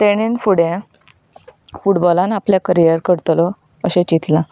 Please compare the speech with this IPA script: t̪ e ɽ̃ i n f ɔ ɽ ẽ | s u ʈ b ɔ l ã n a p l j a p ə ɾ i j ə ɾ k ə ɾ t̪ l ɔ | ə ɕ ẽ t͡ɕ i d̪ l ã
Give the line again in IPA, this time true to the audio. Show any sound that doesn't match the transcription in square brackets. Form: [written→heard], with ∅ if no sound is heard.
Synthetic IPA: t̪ e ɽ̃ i n f [ɔ→u] ɽ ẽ | [s→f] u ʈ b ɔ l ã n a p l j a [p→k] ə ɾ i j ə ɾ k ə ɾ t̪ l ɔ | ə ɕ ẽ t͡ɕ i [d̪→t̪] l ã